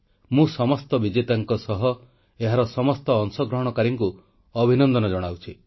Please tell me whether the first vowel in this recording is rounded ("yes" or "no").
yes